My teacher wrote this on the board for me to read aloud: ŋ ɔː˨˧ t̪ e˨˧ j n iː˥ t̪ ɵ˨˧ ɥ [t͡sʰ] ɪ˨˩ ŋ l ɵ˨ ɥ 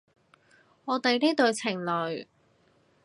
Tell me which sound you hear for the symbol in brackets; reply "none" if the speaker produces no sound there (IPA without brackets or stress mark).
t͡sʰ